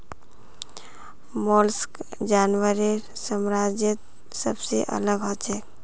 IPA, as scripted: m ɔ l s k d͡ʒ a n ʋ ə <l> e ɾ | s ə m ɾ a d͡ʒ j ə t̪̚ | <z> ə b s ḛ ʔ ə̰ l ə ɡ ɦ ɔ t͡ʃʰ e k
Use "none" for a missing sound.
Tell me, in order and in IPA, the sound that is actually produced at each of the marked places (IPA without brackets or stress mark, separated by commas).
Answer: ɾ, s